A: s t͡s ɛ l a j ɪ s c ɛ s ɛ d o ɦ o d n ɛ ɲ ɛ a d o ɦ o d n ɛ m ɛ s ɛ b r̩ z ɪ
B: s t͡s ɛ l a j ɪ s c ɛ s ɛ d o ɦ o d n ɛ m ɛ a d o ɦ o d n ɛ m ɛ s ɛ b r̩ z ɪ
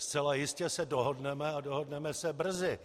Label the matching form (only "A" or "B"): B